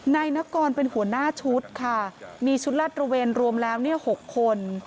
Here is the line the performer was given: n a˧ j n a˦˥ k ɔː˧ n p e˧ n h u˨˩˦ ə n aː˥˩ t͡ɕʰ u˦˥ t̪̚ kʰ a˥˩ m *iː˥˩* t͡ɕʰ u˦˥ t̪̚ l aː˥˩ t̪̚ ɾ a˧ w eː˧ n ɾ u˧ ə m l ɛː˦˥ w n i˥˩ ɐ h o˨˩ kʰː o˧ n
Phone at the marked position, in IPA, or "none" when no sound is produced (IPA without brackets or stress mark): iː˧